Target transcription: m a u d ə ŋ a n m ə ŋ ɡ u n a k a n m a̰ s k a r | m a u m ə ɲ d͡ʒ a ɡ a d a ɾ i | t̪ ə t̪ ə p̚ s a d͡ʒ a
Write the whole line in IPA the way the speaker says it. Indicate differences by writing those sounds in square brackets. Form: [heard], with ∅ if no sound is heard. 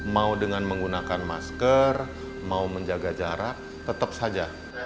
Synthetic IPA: m a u d ə ŋ a n m ə ŋ ɡ u n a k a n m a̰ s k [ə] r | m a u m ə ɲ d͡ʒ a ɡ a [d͡ʒ] a ɾ [a] | t̪ ə t̪ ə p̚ s a d͡ʒ a